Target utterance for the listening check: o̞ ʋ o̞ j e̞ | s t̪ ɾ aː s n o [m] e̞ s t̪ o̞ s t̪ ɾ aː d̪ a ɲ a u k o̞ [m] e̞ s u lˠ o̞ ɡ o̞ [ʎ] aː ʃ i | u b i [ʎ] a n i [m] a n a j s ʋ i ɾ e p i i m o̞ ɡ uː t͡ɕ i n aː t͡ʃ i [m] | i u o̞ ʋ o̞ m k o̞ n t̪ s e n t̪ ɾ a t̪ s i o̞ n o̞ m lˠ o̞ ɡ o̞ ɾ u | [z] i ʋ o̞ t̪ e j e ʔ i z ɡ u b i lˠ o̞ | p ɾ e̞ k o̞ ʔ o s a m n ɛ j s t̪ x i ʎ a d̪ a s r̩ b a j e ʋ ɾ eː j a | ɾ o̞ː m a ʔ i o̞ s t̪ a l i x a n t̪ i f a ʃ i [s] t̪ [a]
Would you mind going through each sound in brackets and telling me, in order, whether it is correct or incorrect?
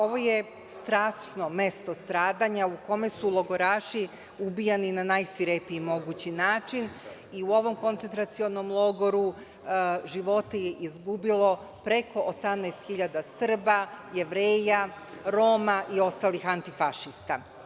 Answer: correct, correct, incorrect: ɾ, incorrect: j, incorrect: n, incorrect: n, incorrect: ʒ, correct, correct

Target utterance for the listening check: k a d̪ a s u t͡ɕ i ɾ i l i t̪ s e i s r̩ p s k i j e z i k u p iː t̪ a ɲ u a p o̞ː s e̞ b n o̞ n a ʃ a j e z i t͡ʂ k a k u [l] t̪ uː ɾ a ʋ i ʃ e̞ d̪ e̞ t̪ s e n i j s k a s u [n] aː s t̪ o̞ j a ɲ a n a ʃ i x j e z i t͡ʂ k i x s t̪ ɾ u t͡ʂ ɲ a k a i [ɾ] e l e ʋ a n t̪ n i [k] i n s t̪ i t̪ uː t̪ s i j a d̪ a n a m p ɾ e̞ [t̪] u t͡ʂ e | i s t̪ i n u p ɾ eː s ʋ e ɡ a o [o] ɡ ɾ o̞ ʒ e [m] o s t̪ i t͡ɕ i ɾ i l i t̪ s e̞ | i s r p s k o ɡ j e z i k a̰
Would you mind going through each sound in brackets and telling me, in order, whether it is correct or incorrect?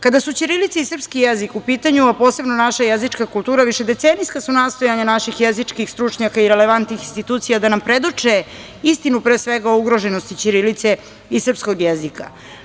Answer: correct, correct, correct, incorrect: x, incorrect: d̪, incorrect: u, incorrect: n

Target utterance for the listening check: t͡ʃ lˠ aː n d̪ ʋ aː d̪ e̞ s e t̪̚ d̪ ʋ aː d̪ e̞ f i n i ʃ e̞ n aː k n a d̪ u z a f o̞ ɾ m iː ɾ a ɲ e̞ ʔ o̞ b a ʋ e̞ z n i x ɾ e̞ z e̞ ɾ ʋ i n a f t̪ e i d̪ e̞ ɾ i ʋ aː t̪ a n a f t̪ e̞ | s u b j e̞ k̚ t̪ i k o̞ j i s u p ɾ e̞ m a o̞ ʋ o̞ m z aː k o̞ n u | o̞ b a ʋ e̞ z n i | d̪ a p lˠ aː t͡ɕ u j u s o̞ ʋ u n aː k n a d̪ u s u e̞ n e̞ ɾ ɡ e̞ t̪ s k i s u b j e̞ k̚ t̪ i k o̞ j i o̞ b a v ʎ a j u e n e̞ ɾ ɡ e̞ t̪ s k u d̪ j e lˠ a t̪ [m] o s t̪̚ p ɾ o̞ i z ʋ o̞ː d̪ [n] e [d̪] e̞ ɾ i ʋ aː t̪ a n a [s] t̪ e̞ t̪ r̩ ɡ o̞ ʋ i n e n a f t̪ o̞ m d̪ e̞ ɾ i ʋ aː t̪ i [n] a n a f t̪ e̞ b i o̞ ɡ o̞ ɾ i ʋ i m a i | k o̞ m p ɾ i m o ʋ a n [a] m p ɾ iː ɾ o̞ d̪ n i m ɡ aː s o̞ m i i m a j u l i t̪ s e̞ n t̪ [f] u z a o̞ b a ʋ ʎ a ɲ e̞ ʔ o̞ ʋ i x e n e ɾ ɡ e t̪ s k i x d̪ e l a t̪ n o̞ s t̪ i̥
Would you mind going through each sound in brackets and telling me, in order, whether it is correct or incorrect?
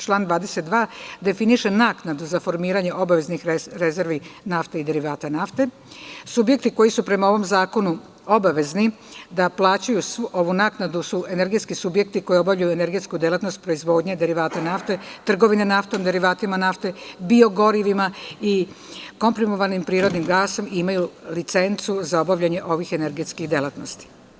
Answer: incorrect: n, incorrect: ɲ, correct, incorrect: f, incorrect: m, incorrect: i, incorrect: s

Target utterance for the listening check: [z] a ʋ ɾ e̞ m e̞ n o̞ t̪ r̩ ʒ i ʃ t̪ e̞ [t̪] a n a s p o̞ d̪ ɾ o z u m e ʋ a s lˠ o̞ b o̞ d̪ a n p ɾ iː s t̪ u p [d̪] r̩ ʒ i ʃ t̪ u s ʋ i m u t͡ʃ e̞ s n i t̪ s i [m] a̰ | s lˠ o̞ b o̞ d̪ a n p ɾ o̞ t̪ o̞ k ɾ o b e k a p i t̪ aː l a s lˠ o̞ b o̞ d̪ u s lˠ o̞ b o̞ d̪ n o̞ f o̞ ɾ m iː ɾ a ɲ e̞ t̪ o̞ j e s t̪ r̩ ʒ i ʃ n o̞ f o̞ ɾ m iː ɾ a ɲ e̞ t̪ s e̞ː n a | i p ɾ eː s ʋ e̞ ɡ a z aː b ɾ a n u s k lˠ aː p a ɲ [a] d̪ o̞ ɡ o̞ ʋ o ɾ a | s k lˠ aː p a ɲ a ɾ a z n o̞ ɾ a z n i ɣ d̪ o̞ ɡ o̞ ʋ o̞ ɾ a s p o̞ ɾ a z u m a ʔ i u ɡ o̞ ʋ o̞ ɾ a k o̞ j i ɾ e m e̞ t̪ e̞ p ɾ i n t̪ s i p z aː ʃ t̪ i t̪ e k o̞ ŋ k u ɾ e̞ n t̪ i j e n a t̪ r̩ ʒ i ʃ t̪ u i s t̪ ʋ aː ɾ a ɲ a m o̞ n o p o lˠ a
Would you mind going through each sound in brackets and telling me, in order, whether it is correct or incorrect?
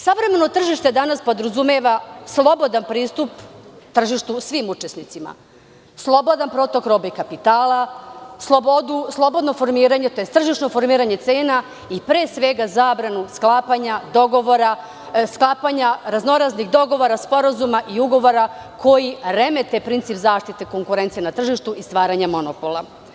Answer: incorrect: s, incorrect: d̪, incorrect: t̪, correct, correct

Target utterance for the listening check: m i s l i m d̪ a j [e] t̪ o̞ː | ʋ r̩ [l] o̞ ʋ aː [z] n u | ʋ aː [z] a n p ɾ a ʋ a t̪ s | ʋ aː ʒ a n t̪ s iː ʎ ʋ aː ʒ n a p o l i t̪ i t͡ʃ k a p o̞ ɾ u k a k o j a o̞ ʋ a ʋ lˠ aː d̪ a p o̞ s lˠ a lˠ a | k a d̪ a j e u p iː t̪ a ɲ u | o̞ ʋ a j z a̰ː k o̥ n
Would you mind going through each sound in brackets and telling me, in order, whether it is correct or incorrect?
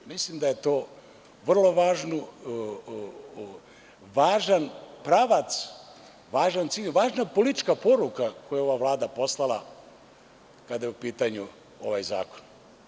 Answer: correct, correct, incorrect: ʒ, incorrect: ʒ

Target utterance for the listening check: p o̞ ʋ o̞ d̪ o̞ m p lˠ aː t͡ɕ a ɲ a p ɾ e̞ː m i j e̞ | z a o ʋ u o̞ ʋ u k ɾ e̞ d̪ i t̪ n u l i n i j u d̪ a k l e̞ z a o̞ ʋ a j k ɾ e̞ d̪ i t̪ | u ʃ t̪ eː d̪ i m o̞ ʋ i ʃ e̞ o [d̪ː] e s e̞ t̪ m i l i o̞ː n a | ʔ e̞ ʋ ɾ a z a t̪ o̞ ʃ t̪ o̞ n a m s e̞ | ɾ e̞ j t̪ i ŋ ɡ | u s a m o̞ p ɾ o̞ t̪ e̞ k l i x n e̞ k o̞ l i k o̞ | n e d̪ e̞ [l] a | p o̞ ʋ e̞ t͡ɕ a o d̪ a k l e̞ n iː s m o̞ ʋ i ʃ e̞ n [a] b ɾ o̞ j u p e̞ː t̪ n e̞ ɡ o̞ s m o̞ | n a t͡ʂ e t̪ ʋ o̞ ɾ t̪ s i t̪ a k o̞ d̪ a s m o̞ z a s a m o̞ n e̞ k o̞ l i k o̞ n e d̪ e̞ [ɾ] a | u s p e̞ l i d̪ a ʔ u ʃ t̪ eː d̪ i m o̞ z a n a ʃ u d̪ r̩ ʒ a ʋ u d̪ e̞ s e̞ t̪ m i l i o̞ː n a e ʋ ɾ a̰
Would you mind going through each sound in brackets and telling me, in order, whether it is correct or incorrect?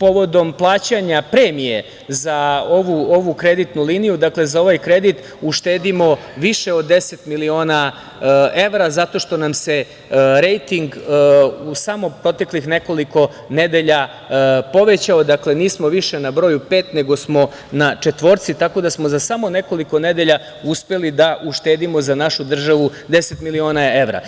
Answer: correct, incorrect: ʎ, correct, incorrect: ʎ

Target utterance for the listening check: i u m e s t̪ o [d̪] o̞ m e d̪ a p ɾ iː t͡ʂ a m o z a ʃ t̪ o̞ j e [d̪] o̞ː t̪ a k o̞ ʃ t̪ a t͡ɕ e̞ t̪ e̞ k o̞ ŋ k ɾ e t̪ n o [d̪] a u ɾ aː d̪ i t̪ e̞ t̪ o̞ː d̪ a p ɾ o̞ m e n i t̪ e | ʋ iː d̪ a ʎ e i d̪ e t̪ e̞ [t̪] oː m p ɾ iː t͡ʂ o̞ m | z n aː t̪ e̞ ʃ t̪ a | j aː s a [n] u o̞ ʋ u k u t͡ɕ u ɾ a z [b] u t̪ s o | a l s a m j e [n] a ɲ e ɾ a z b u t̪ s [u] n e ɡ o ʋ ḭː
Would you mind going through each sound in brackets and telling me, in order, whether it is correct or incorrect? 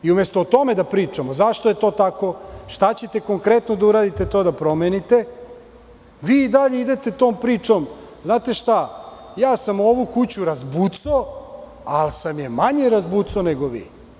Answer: incorrect: t̪, incorrect: t̪, correct, correct, incorrect: m, correct, incorrect: m, incorrect: o

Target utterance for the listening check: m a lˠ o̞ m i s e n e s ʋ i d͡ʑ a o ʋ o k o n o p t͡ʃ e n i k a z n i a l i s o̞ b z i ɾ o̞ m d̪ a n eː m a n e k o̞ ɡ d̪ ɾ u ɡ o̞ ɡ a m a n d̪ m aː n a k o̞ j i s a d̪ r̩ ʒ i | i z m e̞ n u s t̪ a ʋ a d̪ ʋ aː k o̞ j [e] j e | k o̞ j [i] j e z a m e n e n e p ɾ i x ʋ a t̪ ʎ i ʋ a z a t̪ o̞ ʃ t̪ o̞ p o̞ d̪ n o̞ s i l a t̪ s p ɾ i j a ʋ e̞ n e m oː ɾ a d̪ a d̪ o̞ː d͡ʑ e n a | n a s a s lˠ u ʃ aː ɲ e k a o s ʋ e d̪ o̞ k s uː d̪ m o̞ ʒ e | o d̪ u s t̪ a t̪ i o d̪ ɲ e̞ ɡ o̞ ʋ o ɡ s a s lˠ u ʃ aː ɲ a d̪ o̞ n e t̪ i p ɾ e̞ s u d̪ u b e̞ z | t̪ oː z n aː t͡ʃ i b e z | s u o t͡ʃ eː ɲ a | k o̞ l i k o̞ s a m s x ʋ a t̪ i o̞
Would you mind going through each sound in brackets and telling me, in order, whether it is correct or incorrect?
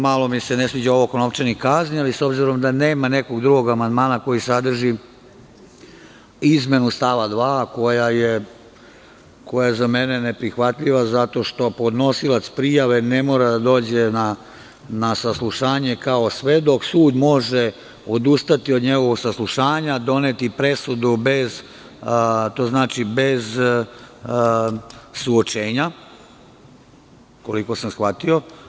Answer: incorrect: a, incorrect: a

